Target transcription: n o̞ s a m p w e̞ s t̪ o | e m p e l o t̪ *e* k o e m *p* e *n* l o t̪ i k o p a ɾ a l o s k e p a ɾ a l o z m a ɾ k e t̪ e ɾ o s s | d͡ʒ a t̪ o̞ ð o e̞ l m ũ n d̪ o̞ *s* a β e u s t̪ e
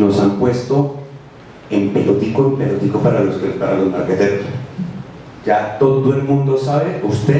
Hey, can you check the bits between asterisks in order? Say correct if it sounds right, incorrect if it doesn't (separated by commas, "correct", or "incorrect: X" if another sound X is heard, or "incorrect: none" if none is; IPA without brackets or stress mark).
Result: incorrect: i, correct, incorrect: none, correct